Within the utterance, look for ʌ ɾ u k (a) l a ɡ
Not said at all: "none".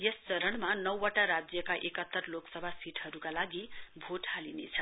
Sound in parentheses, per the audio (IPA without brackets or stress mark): a